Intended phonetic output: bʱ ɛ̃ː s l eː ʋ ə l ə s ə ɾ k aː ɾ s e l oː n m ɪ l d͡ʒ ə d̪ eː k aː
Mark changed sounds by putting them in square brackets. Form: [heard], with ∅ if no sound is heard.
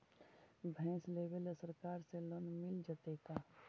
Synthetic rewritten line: bʱ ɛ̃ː s l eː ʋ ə l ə s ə ɾ k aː ɾ s e l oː n m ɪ l d͡ʒ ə [t̪] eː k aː